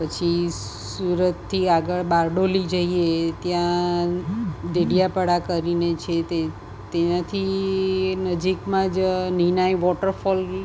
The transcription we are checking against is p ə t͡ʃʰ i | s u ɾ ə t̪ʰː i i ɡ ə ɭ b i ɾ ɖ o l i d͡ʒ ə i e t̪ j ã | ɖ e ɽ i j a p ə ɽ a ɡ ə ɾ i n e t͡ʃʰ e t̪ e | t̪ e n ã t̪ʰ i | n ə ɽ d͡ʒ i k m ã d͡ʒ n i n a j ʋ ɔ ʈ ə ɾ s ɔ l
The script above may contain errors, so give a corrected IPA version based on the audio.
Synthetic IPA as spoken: p ə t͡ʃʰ i | s u ɾ ə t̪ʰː i a ɡ ə ɭ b a ɾ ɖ o l i d͡ʒ ə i e t̪ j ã | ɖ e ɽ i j a p ə ɽ a k ə ɾ i n e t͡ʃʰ e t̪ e | t̪ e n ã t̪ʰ i | n ə d͡ʒ i k m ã d͡ʒ n i n a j ʋ ɔ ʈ ə ɾ f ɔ l